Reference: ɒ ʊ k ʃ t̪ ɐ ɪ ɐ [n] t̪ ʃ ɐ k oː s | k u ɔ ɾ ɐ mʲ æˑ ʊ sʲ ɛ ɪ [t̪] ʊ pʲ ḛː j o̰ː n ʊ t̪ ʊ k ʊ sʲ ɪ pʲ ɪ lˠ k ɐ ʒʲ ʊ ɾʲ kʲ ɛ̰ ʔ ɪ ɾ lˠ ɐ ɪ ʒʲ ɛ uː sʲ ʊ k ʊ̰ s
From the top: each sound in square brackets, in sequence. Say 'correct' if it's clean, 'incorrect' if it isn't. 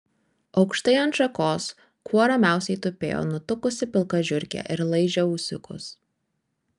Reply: correct, correct

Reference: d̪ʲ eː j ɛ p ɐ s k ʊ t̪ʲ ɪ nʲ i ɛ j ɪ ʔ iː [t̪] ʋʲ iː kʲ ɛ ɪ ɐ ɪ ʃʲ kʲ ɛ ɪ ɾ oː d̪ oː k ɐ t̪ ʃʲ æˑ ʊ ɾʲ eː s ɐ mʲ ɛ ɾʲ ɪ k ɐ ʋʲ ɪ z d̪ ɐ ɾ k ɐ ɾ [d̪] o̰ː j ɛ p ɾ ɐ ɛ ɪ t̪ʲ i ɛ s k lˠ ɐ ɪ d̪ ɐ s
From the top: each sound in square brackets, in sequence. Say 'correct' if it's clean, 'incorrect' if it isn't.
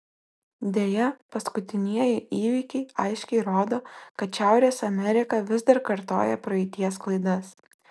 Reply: incorrect, incorrect

